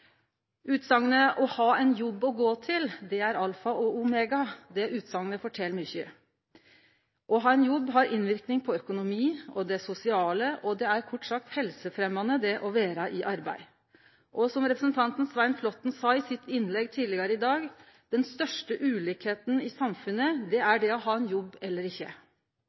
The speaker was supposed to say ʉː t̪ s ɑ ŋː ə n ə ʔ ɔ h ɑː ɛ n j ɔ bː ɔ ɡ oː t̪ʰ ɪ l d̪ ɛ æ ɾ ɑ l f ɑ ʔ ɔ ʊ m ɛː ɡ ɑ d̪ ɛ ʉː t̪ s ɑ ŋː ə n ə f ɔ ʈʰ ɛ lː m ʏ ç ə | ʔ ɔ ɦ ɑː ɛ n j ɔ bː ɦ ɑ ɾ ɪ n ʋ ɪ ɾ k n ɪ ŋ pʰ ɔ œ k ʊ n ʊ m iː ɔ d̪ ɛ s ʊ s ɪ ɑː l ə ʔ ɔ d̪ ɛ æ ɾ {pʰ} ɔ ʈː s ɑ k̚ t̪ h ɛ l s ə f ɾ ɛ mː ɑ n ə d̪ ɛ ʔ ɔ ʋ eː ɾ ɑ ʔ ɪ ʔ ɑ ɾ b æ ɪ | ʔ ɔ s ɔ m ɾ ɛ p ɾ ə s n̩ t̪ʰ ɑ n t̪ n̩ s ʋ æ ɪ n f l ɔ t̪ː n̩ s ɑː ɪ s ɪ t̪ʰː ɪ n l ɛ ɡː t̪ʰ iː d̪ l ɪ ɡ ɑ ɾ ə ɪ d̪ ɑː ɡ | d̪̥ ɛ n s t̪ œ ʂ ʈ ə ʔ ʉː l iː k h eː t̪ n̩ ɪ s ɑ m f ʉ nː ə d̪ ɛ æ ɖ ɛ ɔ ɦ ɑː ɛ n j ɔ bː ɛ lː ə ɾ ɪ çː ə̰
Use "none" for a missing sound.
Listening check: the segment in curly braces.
kʰ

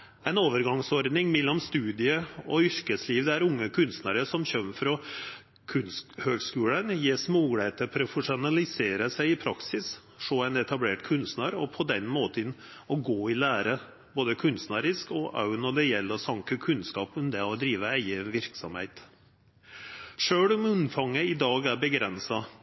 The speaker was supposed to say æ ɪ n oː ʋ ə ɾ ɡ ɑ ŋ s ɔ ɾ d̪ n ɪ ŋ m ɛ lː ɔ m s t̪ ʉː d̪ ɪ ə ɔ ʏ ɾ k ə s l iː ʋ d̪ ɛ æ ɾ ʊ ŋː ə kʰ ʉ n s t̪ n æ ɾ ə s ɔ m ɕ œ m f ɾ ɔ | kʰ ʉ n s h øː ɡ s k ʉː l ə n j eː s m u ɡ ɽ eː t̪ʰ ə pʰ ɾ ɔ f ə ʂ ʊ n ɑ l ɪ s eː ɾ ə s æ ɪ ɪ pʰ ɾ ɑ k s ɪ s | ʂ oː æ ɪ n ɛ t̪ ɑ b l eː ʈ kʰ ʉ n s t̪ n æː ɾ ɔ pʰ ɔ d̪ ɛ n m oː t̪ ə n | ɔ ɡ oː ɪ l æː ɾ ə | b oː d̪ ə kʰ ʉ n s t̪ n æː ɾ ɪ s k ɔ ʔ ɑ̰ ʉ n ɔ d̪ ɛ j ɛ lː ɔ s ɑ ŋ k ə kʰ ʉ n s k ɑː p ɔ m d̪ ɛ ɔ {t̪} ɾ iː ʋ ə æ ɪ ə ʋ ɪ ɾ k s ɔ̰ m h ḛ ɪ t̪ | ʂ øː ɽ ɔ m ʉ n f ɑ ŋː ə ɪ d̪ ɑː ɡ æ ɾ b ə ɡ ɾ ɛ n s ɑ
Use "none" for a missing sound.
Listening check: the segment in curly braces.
d̪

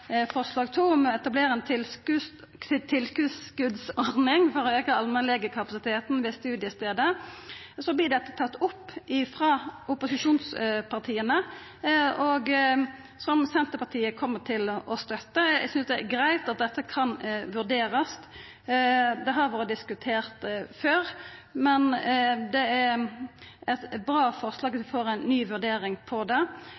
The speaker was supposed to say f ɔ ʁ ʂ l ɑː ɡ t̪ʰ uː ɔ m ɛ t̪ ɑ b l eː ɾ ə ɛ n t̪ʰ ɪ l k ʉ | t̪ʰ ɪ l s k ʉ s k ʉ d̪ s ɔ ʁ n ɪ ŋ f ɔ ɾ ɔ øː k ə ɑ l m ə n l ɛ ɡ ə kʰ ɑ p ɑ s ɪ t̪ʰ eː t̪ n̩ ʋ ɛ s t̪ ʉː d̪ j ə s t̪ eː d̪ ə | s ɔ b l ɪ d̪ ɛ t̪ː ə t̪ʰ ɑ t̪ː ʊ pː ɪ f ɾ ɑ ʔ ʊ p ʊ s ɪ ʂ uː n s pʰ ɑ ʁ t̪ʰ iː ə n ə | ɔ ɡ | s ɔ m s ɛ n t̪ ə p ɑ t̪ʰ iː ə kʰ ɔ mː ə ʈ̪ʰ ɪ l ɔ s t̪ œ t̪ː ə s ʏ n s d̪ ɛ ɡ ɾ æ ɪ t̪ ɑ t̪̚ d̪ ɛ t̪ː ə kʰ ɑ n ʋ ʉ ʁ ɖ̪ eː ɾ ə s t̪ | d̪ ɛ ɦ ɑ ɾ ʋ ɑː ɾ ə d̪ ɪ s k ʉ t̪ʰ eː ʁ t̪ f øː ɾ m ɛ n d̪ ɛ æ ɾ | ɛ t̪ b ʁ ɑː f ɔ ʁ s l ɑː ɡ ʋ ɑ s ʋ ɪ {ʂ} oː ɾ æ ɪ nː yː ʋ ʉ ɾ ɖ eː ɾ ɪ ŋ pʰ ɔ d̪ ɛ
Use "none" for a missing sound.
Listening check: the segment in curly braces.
f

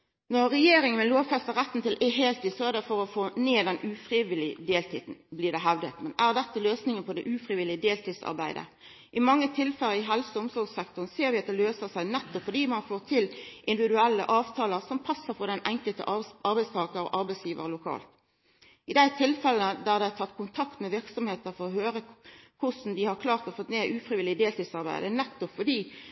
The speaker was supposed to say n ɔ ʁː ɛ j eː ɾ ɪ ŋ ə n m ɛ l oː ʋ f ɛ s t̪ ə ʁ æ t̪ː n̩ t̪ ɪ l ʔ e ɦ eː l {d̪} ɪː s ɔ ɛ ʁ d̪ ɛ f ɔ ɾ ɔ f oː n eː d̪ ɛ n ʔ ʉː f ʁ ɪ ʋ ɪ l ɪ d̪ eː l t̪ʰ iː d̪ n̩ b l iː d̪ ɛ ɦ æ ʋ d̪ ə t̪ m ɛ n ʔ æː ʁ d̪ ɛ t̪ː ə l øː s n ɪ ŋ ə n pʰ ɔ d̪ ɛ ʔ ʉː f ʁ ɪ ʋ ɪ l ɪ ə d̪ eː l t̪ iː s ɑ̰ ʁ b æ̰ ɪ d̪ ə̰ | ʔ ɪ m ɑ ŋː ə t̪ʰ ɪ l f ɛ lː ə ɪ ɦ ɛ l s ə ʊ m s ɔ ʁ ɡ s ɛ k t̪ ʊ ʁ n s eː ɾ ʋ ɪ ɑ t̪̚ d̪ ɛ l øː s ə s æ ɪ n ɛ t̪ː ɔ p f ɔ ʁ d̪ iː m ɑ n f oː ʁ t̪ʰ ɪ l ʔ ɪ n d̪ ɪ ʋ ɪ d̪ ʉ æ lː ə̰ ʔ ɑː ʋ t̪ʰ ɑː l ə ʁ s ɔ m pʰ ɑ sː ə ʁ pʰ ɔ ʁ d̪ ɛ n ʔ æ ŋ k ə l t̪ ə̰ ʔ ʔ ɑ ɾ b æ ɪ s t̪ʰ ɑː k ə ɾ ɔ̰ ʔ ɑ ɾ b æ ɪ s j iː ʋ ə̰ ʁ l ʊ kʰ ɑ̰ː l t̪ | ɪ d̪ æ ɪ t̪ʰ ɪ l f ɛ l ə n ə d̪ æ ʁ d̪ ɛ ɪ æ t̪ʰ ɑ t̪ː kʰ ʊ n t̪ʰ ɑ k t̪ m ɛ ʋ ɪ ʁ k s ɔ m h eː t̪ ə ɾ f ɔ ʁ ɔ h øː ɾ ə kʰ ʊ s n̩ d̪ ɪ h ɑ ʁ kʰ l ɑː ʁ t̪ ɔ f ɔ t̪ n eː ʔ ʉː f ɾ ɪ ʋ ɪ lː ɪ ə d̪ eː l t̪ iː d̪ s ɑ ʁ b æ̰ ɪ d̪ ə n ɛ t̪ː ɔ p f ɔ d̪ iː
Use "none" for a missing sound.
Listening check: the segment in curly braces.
t̪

